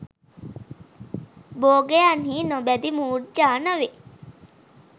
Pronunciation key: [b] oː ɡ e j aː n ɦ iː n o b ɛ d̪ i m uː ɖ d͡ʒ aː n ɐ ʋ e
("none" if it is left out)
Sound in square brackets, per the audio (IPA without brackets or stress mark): b